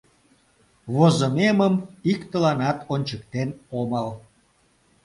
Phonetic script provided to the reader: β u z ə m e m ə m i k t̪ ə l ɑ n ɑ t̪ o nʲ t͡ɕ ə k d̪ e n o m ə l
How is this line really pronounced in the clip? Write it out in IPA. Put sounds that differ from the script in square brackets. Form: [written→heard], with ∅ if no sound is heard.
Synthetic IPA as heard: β [u→o] z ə m e m ə m i k t̪ ə l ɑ n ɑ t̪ o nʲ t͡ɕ ə k [d̪→t̪] e n o m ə l

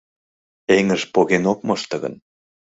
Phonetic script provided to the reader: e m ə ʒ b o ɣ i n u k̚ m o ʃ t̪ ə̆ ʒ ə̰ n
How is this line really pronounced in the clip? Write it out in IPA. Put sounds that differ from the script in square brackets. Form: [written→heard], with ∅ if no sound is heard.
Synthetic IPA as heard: e [m→ŋ] ə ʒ [b→p] o ɣ [i→e] n [u→o] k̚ m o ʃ t̪ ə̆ [ʒ→ɣ] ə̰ n

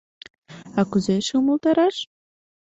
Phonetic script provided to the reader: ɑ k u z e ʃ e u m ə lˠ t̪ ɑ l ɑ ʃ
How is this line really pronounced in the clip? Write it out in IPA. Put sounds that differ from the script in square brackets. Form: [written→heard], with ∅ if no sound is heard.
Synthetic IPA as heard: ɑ k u z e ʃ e u m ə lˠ t̪ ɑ [l→ɾ] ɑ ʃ

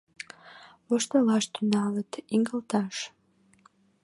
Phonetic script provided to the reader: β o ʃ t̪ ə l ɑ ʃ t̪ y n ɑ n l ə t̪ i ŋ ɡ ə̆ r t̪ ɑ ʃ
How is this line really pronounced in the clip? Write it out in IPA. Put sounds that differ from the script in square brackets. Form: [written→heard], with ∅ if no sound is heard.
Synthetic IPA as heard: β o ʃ t̪ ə l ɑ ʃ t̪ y n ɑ [n→∅] l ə t̪ i ŋ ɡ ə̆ [r→l] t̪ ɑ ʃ

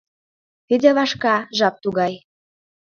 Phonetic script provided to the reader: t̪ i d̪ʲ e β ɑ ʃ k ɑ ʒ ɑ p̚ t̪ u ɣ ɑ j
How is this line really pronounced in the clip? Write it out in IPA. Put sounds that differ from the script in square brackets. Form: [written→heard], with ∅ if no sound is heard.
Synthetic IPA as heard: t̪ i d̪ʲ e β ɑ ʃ k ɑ ʒ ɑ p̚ t̪ u ɣ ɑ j

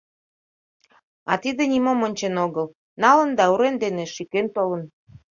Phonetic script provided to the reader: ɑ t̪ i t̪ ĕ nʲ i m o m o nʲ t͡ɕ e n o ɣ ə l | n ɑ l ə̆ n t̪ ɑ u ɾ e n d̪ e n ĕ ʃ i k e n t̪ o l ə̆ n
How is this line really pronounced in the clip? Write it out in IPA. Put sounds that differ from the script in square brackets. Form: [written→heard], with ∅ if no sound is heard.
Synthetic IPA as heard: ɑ t̪ i [t̪→d̪] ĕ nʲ i m o m o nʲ t͡ɕ e n o ɣ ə l | n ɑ l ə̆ n [t̪→d̪] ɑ u ɾ e n d̪ e n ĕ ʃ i k e n t̪ o l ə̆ n

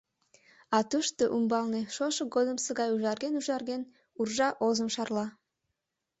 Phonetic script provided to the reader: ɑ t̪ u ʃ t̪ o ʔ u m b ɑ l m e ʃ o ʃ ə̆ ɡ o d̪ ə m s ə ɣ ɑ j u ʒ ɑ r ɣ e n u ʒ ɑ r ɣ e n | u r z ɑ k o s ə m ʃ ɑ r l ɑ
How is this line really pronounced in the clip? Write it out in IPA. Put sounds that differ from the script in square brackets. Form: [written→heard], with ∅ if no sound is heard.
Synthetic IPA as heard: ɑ t̪ u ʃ t̪ o ʔ u m b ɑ l [m→n] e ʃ o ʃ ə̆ ɡ o d̪ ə m s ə ɣ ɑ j u ʒ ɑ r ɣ e n u ʒ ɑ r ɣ e n | u r [z→ʒ] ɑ [k→ʔ] o [s→z] ə m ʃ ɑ r l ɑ

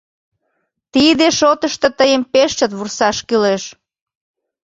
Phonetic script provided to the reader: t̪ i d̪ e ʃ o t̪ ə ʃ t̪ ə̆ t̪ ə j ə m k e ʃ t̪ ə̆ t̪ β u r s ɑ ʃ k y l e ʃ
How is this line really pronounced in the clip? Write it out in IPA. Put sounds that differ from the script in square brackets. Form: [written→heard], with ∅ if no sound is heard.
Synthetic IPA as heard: t̪ i d̪ e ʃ o t̪ ə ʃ t̪ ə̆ t̪ ə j ə m [k→p] e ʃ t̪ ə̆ t̪ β u r s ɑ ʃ k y l e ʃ

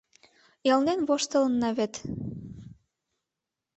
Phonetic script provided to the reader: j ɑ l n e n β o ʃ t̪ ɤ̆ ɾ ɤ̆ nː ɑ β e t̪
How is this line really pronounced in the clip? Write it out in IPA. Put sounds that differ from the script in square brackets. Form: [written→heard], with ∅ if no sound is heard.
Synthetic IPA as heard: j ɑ l n e n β o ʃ t̪ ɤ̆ [ɾ→l] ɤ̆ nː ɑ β e t̪

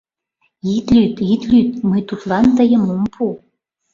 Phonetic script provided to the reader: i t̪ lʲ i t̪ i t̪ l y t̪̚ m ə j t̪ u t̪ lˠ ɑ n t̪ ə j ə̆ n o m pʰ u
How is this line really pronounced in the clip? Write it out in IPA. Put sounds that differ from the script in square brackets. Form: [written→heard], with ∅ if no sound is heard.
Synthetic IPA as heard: i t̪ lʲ [i→y] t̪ i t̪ l y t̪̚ m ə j t̪ u t̪ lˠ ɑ n t̪ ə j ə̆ [n→m] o m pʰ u

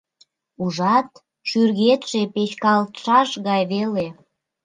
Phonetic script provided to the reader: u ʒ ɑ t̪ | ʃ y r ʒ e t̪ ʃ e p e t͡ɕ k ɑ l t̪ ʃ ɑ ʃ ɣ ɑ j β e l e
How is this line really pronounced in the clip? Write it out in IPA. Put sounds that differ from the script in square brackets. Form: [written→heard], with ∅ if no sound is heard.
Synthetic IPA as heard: u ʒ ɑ t̪ | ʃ y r [ʒ→ɣ] e t̪ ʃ e p e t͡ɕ k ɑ l t̪ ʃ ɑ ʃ ɣ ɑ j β e l e

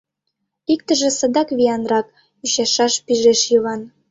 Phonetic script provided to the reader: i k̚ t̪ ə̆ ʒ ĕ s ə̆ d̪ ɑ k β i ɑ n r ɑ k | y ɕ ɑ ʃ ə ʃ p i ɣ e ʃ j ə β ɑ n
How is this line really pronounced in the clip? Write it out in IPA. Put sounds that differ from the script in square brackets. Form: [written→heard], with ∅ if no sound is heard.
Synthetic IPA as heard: i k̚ t̪ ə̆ ʒ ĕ s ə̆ d̪ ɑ k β i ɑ n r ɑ k | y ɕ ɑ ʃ [ə→ɑ] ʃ p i [ɣ→ʒ] e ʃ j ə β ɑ n

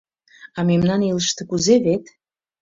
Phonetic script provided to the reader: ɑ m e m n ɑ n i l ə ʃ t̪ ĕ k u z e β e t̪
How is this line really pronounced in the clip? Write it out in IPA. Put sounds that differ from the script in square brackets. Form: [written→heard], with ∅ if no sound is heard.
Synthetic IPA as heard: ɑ m e m n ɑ n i l ə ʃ t̪ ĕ k u z e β e t̪

